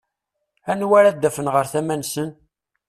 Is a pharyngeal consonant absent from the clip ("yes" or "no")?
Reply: yes